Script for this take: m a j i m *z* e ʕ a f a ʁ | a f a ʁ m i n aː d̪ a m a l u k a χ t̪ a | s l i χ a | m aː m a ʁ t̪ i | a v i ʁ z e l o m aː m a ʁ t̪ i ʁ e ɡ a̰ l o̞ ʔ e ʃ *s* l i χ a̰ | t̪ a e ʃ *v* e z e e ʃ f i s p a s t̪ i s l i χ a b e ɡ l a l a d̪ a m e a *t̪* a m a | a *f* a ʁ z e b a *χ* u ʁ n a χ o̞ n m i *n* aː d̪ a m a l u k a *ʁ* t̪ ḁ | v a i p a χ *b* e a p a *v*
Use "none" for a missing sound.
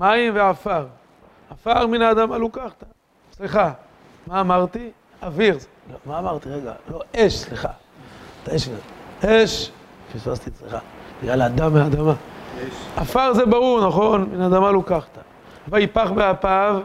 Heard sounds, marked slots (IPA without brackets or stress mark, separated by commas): v, s, v, d̪, f, ʁ, n, χ, b, v